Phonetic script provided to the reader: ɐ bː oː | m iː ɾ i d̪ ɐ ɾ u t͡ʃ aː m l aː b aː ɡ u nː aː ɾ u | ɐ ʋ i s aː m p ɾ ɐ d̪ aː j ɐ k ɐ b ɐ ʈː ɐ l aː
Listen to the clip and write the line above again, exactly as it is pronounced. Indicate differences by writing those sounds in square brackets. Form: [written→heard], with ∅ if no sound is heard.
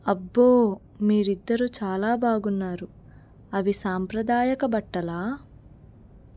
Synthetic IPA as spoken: ɐ bː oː | m iː ɾ i [d̪→d̪ː] ɐ ɾ u t͡ʃ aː [m→∅] l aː b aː ɡ u nː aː ɾ u | ɐ ʋ i s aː m p ɾ ɐ d̪ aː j ɐ k ɐ b ɐ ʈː ɐ l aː